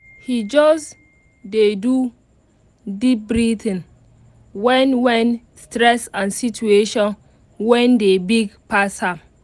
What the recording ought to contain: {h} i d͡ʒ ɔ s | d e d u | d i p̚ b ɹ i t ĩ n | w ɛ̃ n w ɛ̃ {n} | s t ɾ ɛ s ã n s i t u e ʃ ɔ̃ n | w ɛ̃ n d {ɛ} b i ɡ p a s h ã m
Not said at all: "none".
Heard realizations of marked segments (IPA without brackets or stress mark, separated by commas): h, n, e